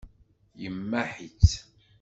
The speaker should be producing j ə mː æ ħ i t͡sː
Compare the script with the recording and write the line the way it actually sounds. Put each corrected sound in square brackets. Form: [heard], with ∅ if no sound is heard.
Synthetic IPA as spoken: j ə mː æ ħ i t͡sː